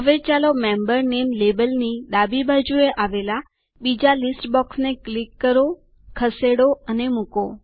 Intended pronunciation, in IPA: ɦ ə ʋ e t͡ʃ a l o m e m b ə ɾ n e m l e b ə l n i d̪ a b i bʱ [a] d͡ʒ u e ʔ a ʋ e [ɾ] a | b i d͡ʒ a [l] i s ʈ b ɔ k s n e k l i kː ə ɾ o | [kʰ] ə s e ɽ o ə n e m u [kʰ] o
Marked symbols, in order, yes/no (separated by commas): yes, no, yes, yes, no